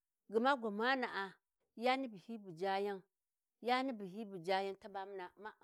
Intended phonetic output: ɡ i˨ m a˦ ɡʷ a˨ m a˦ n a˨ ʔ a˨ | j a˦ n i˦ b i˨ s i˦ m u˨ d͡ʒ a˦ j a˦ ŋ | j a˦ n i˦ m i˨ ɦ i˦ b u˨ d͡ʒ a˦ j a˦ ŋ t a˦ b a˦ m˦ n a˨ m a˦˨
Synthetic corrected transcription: ɡ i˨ m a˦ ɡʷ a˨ m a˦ n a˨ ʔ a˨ | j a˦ n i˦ b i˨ h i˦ b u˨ d͡ʒ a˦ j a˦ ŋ | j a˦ n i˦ b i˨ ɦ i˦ b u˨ d͡ʒ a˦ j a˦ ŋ t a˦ b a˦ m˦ n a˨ m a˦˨